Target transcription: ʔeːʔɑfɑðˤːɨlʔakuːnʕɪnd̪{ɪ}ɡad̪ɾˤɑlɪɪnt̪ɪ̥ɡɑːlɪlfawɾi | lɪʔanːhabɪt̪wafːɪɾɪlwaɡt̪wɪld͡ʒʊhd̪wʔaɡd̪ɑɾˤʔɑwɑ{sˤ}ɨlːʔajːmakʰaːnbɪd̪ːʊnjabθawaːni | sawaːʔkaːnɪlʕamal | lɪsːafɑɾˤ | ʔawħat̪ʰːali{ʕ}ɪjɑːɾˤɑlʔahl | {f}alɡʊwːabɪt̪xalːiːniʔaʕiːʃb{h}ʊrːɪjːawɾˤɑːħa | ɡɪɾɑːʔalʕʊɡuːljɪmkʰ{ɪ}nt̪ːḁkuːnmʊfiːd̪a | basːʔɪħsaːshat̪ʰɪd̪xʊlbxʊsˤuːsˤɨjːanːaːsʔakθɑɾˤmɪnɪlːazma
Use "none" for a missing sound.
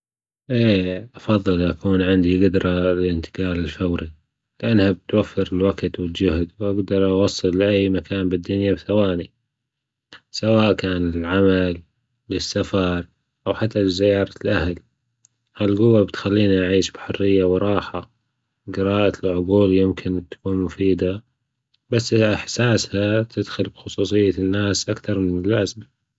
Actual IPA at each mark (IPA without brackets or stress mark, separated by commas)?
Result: i, sˤː, z, h, ħ, ɪ